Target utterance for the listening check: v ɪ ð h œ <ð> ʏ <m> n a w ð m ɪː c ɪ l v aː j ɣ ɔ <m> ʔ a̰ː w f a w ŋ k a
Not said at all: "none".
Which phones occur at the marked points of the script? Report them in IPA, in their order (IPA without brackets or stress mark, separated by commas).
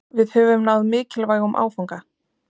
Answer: v, m, m